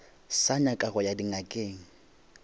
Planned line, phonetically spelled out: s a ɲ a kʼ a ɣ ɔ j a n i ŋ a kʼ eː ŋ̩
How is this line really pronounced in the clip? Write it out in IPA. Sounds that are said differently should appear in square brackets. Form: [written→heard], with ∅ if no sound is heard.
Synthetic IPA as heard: s a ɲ a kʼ a ɣ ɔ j a [n→d] i ŋ a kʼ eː ŋ̩